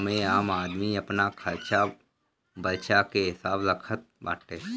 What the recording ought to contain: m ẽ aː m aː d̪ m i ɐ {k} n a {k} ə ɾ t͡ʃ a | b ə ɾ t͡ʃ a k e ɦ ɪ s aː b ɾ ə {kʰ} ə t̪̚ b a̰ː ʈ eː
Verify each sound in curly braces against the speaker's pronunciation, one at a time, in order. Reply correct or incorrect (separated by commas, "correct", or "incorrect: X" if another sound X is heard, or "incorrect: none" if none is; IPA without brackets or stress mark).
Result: incorrect: p, incorrect: kʰ, correct